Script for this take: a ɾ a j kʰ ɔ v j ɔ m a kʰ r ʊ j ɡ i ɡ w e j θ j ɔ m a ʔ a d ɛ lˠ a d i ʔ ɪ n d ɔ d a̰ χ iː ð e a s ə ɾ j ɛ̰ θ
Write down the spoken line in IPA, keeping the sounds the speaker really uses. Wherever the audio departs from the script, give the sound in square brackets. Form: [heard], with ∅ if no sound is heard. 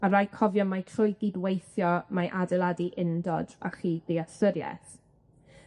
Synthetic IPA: a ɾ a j kʰ ɔ v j ɔ m a [tʰ] r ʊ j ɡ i [d] w e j θ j ɔ m a ʔ a d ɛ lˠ a d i ʔ ɪ n d ɔ d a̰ χ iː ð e a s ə ɾ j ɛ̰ θ